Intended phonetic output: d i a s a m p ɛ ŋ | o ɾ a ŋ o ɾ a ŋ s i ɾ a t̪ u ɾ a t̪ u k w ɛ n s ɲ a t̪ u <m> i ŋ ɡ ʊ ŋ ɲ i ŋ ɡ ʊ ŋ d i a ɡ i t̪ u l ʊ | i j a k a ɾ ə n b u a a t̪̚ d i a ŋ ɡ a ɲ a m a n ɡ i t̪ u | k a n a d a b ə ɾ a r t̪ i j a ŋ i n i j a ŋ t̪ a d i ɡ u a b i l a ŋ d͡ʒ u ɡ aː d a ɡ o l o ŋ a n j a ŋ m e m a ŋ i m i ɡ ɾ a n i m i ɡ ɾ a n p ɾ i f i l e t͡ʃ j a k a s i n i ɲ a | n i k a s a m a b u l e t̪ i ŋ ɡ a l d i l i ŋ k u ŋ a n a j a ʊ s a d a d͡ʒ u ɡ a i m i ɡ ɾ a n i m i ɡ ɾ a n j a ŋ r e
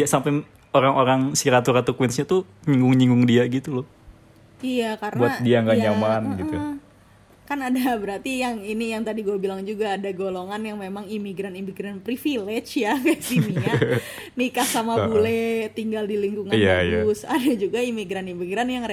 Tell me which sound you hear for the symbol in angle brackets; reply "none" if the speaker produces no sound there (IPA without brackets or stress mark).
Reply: ɲ